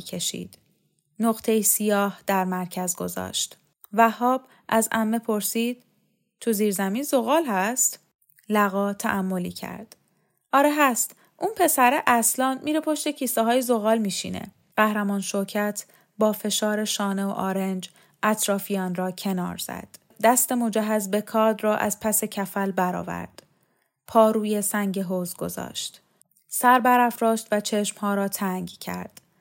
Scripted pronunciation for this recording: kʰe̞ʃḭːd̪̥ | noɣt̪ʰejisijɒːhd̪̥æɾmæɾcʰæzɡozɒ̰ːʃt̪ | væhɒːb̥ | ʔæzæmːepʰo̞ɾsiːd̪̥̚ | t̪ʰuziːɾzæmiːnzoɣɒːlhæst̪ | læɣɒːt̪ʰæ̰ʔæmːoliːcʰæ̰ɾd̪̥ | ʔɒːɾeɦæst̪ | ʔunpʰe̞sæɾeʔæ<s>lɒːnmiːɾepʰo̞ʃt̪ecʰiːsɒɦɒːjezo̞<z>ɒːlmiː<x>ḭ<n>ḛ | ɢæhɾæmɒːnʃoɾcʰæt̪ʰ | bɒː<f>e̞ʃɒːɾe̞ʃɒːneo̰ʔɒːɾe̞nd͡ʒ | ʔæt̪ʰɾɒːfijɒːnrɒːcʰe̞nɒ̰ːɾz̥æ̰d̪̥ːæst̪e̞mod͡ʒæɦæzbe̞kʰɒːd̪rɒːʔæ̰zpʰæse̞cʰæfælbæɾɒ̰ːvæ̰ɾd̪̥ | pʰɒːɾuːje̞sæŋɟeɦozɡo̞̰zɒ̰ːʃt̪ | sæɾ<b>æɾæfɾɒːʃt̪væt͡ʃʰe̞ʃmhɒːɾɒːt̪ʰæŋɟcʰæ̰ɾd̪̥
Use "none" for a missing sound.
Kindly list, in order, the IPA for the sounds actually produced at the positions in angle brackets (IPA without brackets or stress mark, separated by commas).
s, ɣ, ʃ, n, f, b